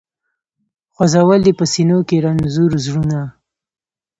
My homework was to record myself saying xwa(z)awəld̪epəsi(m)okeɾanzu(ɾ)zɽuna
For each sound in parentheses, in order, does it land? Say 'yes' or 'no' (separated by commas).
yes, no, yes